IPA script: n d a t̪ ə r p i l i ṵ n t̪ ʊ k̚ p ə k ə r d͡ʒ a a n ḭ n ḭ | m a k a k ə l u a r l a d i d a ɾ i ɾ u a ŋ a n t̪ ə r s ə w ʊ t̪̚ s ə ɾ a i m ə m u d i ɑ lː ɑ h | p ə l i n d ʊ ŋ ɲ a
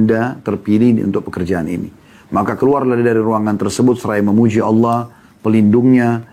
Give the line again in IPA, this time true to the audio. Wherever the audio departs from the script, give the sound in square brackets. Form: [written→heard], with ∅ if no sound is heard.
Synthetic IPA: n d a t̪ ə r p i l i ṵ n t̪ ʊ k̚ p ə k ə r d͡ʒ a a n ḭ n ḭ | m a k a k ə l u a r l a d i d a ɾ i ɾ u a ŋ a n t̪ ə r s ə [w→b] ʊ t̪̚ s ə ɾ a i m ə m u [d→d͡ʒ] i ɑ lː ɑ h | p ə l i n d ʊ ŋ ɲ a